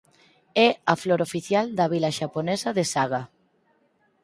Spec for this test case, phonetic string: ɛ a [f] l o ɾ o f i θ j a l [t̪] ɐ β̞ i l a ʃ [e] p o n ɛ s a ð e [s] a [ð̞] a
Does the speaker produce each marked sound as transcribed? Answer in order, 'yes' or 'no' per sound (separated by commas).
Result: yes, no, no, yes, no